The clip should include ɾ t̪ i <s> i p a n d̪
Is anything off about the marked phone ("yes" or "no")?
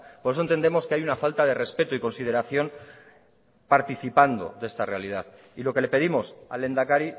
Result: yes